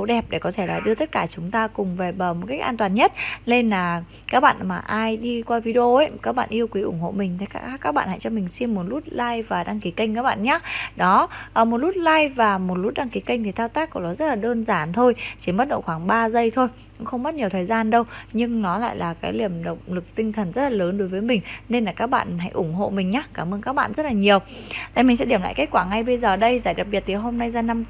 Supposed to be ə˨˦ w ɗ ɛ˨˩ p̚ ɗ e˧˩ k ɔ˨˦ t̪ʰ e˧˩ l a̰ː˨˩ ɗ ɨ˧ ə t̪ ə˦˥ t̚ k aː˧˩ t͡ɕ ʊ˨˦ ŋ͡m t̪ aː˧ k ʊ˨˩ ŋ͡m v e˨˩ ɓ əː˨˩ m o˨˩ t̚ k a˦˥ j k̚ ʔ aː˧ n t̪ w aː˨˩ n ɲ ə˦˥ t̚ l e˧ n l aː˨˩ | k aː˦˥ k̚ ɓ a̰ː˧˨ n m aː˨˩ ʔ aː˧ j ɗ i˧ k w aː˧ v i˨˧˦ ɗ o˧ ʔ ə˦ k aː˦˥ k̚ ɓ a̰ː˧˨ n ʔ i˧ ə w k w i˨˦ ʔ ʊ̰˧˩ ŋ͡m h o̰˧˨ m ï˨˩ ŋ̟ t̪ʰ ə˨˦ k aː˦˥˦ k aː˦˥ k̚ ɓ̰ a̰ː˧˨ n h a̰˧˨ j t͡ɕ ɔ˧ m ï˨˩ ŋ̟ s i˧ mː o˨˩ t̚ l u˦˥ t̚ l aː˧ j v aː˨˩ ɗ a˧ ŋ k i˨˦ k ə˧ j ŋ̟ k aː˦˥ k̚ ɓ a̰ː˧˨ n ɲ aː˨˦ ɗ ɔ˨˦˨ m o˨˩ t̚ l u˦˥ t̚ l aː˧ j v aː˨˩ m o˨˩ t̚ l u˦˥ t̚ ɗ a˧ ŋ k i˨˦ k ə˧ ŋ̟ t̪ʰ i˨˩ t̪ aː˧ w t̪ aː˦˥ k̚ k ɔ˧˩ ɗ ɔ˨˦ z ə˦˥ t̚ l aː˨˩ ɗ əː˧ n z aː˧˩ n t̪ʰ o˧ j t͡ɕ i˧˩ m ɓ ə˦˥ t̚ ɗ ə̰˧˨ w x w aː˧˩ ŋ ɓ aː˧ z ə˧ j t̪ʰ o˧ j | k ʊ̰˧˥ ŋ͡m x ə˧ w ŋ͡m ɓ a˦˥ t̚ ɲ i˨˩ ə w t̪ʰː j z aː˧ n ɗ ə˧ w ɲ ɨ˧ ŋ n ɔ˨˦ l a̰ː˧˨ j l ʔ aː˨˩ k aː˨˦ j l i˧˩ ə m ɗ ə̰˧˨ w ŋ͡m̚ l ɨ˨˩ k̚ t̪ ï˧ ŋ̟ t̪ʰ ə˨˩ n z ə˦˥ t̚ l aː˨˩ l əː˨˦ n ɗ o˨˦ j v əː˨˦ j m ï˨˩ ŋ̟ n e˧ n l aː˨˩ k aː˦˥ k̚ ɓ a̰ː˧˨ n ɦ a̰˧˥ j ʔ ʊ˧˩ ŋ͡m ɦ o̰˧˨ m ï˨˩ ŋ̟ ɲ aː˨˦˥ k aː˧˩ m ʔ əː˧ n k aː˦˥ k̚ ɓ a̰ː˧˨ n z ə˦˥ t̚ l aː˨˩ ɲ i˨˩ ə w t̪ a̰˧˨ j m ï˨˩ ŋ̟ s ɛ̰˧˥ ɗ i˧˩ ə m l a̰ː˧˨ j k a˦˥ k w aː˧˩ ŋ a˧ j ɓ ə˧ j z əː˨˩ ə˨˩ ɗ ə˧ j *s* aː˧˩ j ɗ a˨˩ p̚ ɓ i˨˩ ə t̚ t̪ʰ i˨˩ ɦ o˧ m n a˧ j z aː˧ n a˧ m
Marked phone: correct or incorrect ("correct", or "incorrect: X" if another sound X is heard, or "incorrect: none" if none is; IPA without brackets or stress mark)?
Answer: incorrect: z